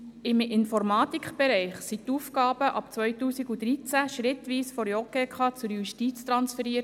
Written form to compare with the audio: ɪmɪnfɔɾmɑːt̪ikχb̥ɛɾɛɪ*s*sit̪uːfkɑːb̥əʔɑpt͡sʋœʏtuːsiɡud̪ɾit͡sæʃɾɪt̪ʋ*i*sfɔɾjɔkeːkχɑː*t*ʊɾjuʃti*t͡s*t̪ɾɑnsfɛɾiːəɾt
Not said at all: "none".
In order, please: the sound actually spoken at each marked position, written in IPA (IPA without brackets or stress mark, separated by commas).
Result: χ, iː, t͡s, t͡s